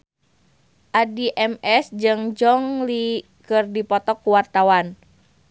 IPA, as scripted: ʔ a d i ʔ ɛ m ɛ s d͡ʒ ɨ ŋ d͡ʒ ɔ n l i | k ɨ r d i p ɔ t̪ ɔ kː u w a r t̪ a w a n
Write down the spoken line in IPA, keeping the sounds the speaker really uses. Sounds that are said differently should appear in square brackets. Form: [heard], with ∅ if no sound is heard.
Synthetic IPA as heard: ʔ a d i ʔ ɛ m ɛ s d͡ʒ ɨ ŋ d͡ʒ ɔ [ŋ] l i | k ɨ r d i p ɔ t̪ ɔ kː u w a r t̪ a w a n